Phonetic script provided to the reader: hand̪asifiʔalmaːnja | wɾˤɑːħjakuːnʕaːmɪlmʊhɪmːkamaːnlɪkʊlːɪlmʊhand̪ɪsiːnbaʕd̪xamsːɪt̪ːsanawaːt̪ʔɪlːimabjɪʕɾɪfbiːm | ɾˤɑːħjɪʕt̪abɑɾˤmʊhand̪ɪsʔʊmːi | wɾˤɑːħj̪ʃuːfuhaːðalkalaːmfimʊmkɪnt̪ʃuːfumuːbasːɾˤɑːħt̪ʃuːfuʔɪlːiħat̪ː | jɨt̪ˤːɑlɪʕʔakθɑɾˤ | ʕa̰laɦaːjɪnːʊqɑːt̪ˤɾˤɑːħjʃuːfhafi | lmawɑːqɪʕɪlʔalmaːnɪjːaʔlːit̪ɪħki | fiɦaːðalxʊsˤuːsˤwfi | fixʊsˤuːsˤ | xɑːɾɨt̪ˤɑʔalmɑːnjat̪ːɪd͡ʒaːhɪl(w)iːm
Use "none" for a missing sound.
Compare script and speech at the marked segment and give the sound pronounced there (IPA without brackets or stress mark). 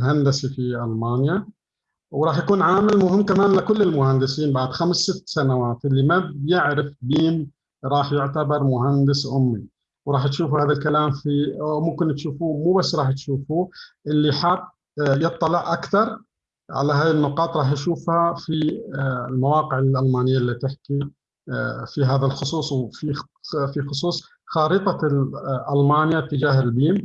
b